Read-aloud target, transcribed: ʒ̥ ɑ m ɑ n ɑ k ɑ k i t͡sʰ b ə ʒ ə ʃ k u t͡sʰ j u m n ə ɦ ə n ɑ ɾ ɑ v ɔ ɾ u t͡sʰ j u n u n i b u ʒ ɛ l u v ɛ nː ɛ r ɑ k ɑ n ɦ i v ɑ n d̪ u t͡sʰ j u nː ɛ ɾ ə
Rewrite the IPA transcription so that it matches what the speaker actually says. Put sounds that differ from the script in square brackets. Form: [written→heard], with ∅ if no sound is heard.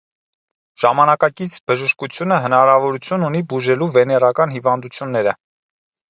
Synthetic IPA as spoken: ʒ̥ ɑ m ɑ n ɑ k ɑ k i t͡sʰ b ə ʒ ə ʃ k u t͡sʰ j u [m→∅] n ə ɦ ə n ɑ ɾ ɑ v ɔ ɾ u t͡sʰ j u n u n i b u ʒ ɛ l u v ɛ [nː→n] ɛ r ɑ k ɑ n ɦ i v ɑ n d̪ u t͡sʰ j u nː ɛ ɾ ə